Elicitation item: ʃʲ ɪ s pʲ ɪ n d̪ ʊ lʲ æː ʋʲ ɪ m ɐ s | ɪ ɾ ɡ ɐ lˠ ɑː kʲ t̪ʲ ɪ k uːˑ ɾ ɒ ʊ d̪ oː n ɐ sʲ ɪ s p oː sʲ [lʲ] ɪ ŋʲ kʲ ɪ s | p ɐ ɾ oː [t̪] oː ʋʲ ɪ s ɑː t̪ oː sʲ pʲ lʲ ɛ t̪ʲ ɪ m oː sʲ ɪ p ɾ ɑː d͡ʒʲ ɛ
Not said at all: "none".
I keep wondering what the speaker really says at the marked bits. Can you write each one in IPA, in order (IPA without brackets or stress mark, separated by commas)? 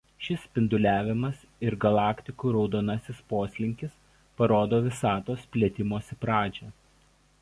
lʲ, d̪